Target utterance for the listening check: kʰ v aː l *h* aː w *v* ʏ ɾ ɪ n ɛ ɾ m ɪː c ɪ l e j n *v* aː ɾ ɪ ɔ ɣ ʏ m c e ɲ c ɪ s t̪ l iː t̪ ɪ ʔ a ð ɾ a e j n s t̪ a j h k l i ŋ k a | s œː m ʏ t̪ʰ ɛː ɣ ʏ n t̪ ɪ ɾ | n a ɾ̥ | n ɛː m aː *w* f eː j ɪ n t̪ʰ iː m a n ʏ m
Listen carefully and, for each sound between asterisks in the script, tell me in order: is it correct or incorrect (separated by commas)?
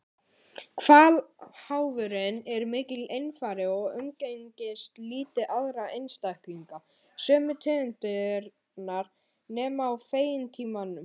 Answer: correct, correct, incorrect, correct